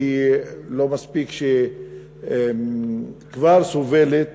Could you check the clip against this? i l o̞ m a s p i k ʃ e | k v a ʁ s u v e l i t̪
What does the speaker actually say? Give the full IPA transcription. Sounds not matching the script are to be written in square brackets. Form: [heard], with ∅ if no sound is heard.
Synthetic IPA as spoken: i l o̞ m a s p i k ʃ e | k v a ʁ s [o] v e l [e] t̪